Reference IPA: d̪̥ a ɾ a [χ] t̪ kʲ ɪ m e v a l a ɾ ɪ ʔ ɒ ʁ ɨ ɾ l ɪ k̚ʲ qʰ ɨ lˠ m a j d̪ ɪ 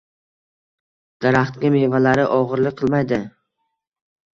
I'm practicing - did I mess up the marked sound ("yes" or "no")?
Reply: no